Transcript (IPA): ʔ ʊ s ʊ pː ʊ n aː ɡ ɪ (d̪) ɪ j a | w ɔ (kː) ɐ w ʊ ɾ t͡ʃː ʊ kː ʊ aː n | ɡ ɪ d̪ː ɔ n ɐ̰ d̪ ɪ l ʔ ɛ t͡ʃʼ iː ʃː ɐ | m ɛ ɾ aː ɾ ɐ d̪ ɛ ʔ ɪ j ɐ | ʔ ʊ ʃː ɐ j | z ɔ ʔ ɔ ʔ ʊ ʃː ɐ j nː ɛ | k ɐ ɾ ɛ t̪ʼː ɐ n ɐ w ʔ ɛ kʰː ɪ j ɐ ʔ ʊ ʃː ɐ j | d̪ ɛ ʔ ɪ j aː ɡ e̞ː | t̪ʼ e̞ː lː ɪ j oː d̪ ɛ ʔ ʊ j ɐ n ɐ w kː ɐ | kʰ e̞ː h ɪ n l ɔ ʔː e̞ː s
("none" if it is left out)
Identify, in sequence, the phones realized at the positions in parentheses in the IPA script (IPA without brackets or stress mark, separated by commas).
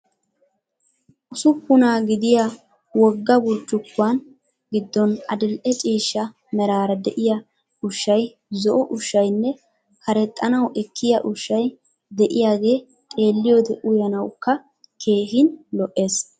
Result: d̪, ɡː